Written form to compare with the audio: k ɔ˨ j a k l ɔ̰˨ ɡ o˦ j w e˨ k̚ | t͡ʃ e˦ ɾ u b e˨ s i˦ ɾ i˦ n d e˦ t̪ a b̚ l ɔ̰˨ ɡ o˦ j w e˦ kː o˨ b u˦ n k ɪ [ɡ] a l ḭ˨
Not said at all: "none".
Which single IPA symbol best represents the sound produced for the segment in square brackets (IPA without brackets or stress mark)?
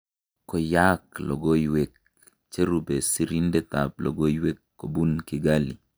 ɡ